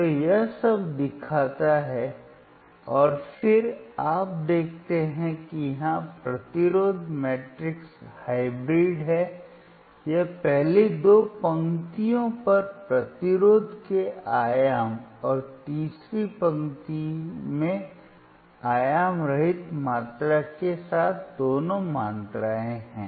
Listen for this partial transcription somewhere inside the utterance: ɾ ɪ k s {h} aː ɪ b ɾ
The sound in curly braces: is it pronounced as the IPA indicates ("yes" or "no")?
yes